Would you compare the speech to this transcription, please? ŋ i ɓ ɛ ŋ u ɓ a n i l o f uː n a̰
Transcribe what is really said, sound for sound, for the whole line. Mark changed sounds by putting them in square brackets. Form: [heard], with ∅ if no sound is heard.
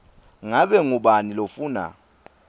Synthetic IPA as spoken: ŋ [a] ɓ ɛ ŋ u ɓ a n i l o f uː n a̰

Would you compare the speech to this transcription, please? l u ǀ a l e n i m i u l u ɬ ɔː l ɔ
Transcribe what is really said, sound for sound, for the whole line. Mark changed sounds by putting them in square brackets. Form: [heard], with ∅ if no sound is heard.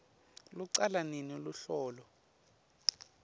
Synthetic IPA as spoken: l u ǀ a l [a] n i [n] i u l u ɬ ɔː l ɔ

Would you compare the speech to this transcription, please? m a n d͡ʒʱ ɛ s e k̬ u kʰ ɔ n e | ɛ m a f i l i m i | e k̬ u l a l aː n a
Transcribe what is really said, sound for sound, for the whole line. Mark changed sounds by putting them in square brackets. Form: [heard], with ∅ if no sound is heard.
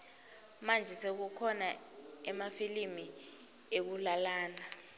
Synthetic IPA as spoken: m a n d͡ʒʱ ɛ s e k̬ u kʰ ɔ n [a] | ɛ m a f i l i m i | e k̬ u l a l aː n a

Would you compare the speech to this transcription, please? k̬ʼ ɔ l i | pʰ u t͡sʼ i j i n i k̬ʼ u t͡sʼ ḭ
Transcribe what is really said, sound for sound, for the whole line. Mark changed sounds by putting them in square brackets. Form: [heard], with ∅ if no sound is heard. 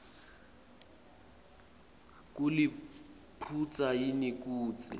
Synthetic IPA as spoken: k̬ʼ [u] l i | pʰ u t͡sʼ [a] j i n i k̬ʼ [uː] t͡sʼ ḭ

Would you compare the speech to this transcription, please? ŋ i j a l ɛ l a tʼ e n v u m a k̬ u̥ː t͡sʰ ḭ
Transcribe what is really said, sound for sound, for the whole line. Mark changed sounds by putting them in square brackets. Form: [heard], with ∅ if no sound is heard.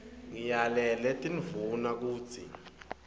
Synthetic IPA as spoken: ŋ i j a l ɛ l [ɛ] tʼ [i] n v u [n] a k̬ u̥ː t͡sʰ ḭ

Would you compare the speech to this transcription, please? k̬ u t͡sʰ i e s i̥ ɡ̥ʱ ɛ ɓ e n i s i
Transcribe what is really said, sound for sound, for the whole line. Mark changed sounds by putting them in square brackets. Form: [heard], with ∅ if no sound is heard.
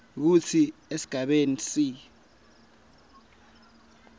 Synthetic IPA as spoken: k̬ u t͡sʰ i e s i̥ ɡ̥ʱ [a] ɓ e n i s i

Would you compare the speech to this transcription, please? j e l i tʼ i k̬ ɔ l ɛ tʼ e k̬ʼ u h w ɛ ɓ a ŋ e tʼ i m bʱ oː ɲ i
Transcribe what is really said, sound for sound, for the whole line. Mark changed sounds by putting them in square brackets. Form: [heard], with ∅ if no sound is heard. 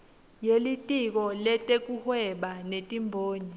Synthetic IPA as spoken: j e l i tʼ i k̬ ɔ l ɛ tʼ e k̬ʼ u h w ɛ ɓ a [n] e tʼ i m bʱ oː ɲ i

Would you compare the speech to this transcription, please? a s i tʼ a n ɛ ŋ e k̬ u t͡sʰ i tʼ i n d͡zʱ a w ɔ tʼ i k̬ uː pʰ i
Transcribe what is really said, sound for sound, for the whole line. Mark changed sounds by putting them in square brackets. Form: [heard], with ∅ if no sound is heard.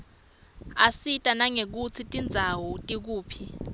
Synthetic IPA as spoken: a s i tʼ a n [a] ŋ e k̬ u t͡sʰ i tʼ i n d͡zʱ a w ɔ tʼ i k̬ uː pʰ i

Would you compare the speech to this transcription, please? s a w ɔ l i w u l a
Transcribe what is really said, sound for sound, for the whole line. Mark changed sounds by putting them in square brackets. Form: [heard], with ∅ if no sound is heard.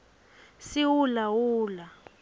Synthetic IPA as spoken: s [i] w [u] l [a] w [uː] l a

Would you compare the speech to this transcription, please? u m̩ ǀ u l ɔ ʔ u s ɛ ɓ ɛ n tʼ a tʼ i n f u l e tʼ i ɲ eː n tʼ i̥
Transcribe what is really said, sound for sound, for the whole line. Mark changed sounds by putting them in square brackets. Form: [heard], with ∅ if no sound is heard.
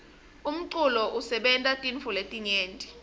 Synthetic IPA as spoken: u m̩ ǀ u l ɔ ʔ u s ɛ ɓ ɛ n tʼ a tʼ i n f u l e tʼ i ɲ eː n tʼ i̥

